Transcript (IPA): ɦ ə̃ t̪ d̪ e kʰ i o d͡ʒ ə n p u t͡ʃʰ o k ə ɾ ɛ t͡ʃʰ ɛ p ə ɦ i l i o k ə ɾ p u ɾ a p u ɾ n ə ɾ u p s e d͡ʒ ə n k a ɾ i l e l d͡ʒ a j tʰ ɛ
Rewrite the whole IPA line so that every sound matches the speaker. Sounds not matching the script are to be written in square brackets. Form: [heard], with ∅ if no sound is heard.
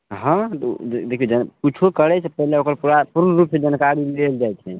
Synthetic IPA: ɦ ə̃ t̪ d̪ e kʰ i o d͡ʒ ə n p u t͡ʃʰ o k ə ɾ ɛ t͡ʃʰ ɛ p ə ɦ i l [e] o k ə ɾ p u ɾ a p u ɾ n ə ɾ u p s e d͡ʒ ə n k a ɾ i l e l d͡ʒ a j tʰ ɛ